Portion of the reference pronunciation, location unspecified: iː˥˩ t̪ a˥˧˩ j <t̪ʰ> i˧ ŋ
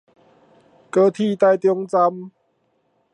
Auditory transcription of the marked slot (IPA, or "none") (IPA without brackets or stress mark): t̪